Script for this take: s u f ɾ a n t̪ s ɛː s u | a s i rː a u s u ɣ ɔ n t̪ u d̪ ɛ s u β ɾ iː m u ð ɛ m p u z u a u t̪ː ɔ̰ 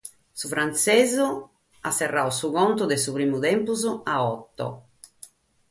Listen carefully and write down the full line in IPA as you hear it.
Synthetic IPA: s u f ɾ a n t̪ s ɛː z u | a s ɛ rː a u s u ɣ ɔ n t̪ u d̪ ɛ s u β ɾ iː m u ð ɛ m p u z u a ɔ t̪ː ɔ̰